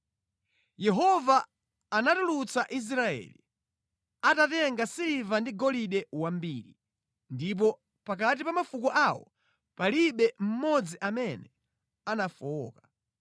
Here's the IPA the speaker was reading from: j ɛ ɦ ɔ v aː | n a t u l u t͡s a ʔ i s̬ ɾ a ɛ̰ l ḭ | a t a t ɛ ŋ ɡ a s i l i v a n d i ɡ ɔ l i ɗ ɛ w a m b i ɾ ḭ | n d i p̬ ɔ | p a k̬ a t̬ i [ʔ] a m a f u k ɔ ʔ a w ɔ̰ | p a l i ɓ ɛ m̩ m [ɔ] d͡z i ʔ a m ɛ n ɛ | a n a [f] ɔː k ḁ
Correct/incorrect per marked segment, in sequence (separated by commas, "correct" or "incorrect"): incorrect, correct, correct